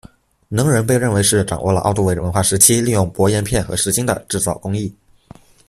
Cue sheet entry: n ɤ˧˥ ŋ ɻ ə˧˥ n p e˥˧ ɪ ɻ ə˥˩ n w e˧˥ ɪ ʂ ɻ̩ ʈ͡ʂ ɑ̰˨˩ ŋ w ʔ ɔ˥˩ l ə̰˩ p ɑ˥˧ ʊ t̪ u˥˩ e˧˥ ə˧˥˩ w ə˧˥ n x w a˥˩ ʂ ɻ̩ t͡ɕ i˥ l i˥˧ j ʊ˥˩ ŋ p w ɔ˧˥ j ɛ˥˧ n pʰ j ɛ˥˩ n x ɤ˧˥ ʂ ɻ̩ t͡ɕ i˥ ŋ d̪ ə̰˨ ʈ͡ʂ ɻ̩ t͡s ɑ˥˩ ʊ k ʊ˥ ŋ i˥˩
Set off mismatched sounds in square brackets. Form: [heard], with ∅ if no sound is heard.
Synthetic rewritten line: n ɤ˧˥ ŋ ɻ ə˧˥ n p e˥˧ ɪ ɻ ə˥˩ n w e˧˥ ɪ ʂ ɻ̩ ʈ͡ʂ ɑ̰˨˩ ŋ w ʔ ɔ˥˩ l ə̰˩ [ʔ] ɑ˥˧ ʊ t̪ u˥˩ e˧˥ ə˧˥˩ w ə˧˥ n x w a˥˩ ʂ ɻ̩ [t͡ɕʰ] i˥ l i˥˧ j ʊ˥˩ ŋ p w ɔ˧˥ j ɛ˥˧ n pʰ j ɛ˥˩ n x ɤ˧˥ ʂ ɻ̩ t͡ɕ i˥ ŋ d̪ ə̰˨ ʈ͡ʂ ɻ̩ t͡s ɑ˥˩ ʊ k ʊ˥ ŋ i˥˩